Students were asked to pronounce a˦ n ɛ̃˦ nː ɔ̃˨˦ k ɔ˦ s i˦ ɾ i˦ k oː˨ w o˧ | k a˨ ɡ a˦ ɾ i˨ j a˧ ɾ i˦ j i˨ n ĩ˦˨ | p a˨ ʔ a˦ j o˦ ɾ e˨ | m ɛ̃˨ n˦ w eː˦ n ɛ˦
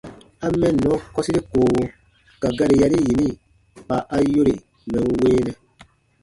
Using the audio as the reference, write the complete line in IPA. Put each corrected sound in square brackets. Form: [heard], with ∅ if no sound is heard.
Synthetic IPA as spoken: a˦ [m] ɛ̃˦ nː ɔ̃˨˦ k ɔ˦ s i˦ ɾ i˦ k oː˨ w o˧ | k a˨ ɡ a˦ ɾ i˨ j a˧ ɾ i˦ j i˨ n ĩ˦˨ | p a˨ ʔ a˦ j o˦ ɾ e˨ | m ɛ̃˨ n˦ w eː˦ n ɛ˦